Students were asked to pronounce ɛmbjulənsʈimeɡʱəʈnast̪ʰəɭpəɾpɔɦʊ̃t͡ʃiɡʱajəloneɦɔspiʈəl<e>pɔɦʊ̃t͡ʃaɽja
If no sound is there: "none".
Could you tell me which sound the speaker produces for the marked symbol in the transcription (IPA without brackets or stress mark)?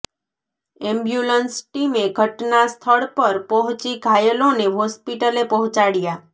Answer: e